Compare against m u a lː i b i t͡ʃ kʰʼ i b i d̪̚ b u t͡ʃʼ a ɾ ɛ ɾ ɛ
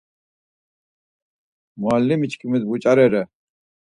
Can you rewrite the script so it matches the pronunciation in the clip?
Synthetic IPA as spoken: m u a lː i m i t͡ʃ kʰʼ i m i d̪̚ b u t͡ʃʼ a ɾ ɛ ɾ ɛ